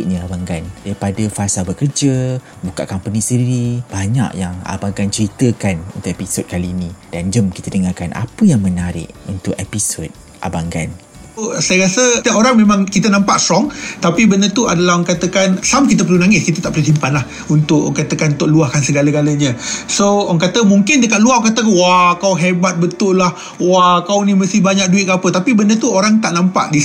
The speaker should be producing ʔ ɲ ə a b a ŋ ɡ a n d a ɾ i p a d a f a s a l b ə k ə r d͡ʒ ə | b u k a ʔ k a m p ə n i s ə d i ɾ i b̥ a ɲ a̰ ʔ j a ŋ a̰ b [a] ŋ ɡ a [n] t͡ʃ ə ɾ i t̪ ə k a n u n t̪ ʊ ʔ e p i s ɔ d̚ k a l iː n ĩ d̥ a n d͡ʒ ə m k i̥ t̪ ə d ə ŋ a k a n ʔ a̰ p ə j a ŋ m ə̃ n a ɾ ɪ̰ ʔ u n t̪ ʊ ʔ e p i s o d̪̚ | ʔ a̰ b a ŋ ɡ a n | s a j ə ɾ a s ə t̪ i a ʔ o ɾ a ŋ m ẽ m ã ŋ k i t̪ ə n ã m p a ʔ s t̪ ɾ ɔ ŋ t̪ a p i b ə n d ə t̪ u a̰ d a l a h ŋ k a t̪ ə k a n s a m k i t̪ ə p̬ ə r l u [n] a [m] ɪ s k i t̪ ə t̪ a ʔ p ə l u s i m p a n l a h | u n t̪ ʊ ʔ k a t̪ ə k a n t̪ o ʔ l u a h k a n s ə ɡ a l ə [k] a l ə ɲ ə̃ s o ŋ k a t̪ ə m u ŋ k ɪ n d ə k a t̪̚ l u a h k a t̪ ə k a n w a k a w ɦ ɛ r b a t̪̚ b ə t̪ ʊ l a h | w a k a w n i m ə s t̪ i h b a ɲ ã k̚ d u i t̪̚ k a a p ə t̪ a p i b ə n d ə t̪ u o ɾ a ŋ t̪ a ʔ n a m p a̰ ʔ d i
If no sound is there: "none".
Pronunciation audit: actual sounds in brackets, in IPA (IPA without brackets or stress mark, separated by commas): a, n, n, ŋ, ɡ